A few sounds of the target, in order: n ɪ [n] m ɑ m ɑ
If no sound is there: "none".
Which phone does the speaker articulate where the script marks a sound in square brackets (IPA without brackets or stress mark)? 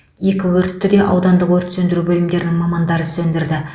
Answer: ŋ